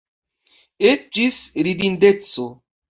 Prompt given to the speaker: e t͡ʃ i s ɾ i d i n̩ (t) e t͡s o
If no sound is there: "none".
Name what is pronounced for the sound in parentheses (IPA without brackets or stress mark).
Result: d